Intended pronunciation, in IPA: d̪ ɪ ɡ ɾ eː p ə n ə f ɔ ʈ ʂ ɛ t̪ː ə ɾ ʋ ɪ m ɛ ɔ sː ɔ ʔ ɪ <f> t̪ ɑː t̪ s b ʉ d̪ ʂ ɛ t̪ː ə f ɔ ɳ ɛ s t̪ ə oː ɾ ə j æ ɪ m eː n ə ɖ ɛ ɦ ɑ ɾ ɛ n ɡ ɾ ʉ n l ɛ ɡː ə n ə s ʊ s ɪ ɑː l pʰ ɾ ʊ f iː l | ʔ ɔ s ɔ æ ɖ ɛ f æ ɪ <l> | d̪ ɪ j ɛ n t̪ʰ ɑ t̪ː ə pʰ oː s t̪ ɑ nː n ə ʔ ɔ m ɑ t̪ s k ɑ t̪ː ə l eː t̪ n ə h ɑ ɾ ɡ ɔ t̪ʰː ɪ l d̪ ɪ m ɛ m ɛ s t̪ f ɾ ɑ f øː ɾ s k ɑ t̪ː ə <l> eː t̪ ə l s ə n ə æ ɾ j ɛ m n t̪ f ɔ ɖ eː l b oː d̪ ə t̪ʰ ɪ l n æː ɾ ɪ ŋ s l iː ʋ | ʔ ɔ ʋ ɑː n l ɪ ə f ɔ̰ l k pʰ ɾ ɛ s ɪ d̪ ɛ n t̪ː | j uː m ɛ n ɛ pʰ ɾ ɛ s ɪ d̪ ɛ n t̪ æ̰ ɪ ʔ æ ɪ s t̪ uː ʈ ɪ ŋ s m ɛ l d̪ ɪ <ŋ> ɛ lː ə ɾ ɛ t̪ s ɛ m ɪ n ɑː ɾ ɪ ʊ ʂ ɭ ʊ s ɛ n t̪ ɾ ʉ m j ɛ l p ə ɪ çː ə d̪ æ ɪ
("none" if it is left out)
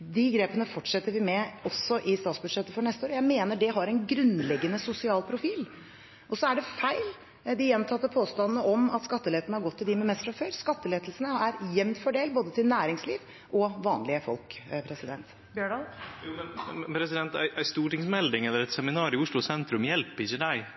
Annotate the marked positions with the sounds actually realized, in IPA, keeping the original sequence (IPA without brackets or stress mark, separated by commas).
s, l, l, ŋ